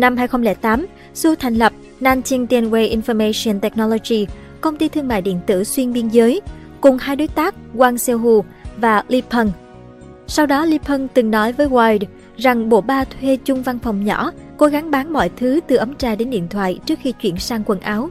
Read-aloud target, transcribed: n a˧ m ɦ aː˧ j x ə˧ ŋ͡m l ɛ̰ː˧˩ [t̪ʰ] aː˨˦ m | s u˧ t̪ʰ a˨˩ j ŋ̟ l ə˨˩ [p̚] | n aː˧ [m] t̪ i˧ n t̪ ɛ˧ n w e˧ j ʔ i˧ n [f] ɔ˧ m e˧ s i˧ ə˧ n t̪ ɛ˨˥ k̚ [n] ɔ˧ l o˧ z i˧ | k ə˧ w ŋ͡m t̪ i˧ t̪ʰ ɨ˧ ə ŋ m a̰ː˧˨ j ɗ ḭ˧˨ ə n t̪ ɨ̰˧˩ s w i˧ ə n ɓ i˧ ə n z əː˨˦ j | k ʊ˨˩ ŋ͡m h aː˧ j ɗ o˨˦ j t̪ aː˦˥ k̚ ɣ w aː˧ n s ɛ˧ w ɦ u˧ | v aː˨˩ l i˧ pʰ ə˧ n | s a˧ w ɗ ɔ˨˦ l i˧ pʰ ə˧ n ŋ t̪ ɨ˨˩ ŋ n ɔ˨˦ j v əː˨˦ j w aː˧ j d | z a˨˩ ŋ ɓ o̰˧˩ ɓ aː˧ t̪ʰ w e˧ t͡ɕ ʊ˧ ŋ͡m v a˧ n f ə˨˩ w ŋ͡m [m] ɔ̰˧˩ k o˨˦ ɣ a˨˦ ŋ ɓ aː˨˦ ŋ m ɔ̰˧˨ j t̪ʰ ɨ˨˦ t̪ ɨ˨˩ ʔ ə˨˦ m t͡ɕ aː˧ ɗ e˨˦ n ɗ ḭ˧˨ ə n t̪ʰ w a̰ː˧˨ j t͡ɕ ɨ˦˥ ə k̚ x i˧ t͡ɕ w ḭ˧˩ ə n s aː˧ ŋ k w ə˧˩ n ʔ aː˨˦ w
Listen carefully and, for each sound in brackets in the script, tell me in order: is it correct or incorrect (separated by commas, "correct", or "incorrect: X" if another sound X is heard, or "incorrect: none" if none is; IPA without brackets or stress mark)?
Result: incorrect: t̪, correct, incorrect: n, correct, correct, incorrect: ɲ